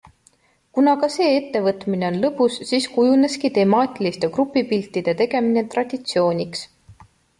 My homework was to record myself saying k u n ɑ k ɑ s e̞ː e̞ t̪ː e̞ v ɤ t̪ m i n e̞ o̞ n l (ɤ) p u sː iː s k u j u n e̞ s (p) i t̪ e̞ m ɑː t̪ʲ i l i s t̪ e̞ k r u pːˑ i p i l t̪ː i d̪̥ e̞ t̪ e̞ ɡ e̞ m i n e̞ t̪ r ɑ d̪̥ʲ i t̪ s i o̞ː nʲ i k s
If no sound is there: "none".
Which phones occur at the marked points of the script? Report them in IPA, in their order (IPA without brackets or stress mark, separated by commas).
ɤ, k